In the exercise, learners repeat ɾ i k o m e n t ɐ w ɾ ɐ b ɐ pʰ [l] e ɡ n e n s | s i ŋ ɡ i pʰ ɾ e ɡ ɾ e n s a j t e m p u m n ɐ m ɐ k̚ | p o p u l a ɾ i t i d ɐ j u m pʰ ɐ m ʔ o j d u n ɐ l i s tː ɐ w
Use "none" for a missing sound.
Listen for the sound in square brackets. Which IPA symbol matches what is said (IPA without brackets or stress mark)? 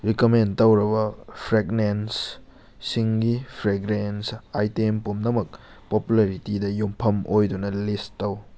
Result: ɾ